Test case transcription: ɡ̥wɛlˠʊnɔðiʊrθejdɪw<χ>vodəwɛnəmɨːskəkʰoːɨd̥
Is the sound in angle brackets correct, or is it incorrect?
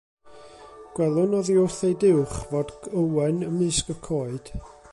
correct